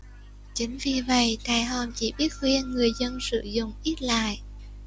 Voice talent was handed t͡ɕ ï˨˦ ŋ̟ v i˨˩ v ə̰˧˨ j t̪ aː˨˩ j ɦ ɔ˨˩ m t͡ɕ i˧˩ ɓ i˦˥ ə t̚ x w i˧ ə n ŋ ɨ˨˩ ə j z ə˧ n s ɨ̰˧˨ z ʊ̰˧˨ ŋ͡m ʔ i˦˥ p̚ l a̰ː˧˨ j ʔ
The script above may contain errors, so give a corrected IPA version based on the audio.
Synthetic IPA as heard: t͡ɕ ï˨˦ ŋ̟ v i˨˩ v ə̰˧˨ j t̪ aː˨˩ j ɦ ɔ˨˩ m t͡ɕ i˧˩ ɓ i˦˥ ə t̚ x w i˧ ə n ŋ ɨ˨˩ ə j z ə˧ n s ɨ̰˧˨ z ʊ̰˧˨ ŋ͡m ʔ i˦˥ t̚ l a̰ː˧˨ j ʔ